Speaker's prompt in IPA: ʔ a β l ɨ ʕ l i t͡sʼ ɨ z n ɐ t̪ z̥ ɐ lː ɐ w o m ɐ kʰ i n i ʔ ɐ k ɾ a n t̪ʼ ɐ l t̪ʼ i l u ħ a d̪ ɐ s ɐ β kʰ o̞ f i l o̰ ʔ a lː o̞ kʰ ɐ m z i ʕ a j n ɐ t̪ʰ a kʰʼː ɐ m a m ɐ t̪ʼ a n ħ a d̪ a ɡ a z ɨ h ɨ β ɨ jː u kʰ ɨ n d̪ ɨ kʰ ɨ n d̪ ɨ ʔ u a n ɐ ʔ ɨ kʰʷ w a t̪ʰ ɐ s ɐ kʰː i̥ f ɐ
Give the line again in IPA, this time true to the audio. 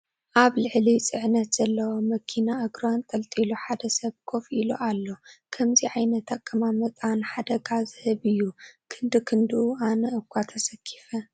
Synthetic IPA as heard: ʔ a β l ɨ ʕ l i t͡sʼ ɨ ʕ n ɐ t̪ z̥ ɐ lː ɐ w o m ɐ kʰ i n a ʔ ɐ ɡ ɾ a n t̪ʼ ɐ l t̪ʼ i l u ħ a d̪ ɐ s ɐ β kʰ o̞ f i l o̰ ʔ a lː o̞ kʰ ɐ m z i ʕ a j n ɐ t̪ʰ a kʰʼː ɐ m a m ɐ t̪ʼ a n ħ a d̪ ɐ ɡ a z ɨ h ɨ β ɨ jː u kʰ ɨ n d̪ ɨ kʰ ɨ n d̪ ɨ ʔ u a n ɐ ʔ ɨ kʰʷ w a t̪ʰ ɐ s ɐ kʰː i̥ f ɐ